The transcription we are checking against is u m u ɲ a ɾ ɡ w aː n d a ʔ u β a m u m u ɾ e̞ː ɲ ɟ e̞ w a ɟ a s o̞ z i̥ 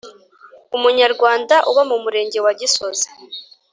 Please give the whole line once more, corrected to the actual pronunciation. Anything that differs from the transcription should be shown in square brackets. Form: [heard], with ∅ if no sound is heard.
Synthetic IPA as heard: u m u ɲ a ɾ ɡ w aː n d a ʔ u β a m u m u ɾ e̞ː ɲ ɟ e̞ w a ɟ [i] s o̞ z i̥